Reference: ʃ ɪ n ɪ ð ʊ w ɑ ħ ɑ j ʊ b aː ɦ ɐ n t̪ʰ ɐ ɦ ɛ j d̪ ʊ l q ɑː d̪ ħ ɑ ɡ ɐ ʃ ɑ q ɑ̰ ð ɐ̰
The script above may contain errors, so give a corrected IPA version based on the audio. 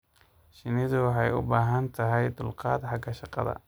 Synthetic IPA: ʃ ɪ n ɪ ð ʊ w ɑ ħ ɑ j ʊ b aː ɦ ɐ n t̪ʰ ɐ ɦ ɛ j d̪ ʊ l q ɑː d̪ ħ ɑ ɡ ɐ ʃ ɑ q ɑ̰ ð ɐ̰